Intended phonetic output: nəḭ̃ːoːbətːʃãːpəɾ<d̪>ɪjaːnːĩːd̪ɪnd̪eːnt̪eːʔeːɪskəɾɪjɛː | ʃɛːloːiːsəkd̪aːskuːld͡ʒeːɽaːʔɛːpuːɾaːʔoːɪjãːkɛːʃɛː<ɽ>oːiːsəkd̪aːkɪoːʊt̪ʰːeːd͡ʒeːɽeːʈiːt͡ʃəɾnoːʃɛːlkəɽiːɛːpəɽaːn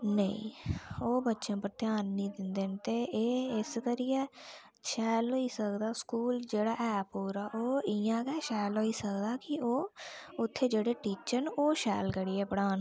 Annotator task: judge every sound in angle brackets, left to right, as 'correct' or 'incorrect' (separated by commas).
incorrect, incorrect